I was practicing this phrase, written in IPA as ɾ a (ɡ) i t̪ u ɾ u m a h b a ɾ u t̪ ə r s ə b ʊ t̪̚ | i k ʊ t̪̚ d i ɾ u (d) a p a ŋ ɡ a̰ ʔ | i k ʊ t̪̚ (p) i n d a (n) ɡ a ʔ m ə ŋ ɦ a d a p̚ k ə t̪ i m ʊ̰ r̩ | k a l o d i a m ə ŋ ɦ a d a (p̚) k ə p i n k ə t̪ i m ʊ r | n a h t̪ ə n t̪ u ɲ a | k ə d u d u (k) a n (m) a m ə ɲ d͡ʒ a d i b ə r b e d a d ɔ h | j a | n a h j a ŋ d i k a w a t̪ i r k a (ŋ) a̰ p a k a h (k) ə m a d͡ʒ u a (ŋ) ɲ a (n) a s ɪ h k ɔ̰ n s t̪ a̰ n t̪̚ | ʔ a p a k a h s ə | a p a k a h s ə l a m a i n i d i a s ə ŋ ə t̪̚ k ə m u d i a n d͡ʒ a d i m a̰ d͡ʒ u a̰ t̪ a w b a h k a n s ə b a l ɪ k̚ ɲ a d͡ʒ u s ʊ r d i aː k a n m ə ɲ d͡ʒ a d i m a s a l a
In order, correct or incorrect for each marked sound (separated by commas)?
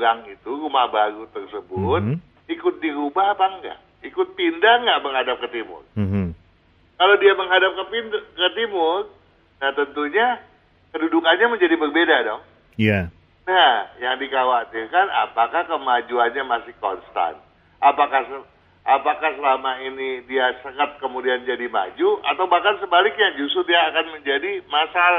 incorrect, incorrect, correct, incorrect, correct, correct, incorrect, incorrect, correct, incorrect, incorrect